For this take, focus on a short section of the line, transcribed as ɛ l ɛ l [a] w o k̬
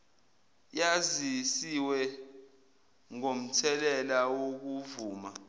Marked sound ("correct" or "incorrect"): correct